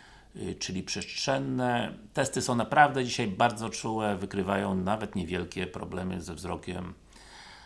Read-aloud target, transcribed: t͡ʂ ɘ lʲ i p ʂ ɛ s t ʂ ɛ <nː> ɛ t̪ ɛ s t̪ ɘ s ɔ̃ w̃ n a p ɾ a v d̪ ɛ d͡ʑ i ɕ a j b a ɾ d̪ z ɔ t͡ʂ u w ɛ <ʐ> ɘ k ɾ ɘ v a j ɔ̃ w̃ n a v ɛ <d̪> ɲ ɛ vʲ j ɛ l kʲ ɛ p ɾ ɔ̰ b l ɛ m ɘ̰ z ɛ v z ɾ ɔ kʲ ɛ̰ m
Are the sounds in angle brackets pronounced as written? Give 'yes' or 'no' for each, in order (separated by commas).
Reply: yes, no, no